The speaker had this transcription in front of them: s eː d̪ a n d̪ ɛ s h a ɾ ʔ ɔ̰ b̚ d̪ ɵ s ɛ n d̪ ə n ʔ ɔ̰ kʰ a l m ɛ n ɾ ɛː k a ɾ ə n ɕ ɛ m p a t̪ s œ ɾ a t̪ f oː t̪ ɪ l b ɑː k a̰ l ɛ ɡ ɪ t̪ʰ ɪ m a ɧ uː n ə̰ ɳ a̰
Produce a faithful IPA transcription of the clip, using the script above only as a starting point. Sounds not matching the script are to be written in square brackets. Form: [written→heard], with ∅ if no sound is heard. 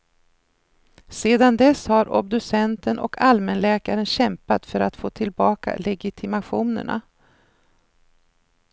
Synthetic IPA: s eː d̪ a n d̪ ɛ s h a ɾ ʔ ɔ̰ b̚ d̪ ɵ s ɛ n [d̪→t̪] ə n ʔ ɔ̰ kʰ a l m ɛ n [ɾ→l] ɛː k a ɾ ə n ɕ ɛ m p a t̪ [s→f] œ ɾ a t̪ f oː [t̪→t̪ʰ] ɪ l b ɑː k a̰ l ɛ ɡ ɪ t̪ʰ ɪ m a ɧ uː n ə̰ ɳ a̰